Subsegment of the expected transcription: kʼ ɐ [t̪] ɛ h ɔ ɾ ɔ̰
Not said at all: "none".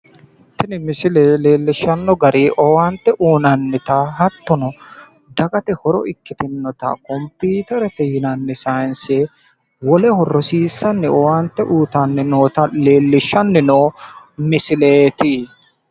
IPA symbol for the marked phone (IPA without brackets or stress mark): t̪